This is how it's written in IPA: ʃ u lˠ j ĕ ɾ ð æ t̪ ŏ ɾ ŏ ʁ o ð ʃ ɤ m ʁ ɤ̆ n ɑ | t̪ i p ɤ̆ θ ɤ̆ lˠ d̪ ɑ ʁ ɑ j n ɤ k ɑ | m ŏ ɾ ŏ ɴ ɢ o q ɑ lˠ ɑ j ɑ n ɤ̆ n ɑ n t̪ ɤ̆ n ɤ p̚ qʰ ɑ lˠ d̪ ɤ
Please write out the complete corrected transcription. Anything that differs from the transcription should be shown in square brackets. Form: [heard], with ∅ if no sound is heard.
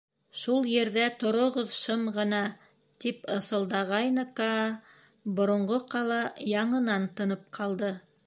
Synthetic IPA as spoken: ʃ u lˠ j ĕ ɾ ð æ t̪ ŏ ɾ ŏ ʁ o ð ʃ ɤ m ʁ ɤ̆ n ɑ | t̪ i p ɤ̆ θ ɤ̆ lˠ d̪ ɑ ʁ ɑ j n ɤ k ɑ | [b] ŏ ɾ ŏ ɴ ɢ o q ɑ lˠ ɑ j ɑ [ɴ] ɤ̆ n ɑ n t̪ ɤ̆ n ɤ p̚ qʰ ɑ lˠ d̪ ɤ